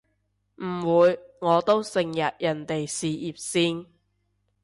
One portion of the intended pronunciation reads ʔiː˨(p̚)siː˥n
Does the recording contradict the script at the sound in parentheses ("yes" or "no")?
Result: no